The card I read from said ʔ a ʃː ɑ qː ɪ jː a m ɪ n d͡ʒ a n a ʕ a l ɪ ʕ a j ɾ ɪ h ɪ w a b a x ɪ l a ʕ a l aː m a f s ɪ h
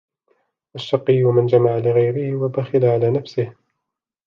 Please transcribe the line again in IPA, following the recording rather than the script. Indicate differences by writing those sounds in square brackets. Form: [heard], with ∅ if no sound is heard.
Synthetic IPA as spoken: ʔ a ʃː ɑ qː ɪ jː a m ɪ n d͡ʒ a [m] a ʕ a l ɪ [ɣ] a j ɾ ɪ h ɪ w a b a x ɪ l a ʕ a l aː [n] a f s ɪ h